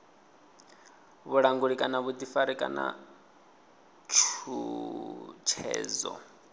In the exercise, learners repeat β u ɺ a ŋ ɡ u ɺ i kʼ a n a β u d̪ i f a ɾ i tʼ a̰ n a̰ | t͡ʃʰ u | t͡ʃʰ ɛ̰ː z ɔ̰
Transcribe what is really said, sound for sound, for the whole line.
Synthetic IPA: β u ɺ a ŋ ɡ u ɺ i kʼ a n a β u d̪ i f a ɾ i kʼ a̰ n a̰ | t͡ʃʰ u | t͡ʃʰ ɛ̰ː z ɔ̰